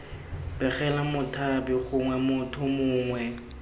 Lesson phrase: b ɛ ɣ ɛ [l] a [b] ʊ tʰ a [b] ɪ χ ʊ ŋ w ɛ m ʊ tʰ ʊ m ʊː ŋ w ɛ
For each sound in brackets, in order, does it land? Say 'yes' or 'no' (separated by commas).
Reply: yes, no, yes